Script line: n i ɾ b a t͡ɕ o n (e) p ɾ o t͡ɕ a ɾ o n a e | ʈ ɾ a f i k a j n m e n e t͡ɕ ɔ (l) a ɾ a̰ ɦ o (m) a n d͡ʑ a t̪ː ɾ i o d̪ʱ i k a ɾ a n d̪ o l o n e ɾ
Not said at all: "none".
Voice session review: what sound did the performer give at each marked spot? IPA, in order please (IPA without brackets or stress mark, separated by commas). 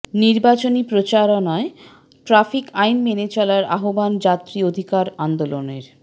i, l, b